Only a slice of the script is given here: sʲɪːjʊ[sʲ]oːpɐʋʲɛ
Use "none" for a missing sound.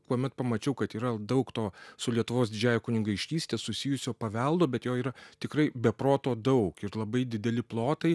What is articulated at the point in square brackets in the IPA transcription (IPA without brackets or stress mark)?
sʲ